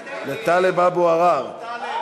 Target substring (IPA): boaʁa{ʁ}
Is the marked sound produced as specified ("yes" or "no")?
no